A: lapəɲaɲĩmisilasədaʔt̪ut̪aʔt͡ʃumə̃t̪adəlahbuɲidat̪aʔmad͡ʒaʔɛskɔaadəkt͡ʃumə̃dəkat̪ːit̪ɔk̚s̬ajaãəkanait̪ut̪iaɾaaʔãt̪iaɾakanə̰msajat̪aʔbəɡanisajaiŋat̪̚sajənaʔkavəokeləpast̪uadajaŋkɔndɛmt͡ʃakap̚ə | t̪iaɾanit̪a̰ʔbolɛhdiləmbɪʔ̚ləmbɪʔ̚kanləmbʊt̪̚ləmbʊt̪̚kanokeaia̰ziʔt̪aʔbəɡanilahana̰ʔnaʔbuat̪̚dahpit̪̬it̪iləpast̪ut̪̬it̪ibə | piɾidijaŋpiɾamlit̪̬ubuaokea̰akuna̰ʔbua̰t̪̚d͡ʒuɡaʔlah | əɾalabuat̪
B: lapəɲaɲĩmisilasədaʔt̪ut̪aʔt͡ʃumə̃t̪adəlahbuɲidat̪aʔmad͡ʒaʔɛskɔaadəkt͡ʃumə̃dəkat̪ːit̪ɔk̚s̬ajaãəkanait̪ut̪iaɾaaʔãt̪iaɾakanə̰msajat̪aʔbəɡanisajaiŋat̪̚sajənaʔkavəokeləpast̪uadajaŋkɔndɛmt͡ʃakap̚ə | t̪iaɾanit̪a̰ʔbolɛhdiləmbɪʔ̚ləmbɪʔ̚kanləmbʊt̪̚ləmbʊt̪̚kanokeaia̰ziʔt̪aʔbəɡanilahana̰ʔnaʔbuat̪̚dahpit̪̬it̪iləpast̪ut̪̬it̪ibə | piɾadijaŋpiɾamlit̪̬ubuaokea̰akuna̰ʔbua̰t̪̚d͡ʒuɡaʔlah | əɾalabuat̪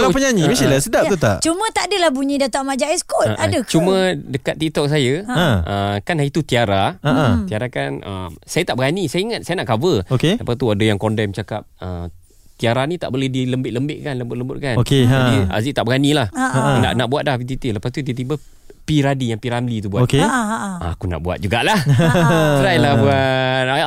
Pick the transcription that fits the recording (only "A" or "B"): B